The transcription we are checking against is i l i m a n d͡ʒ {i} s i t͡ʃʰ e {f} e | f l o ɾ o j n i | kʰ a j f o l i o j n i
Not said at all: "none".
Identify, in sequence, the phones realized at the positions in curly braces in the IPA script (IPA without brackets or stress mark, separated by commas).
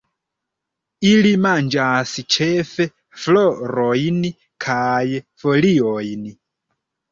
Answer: a, f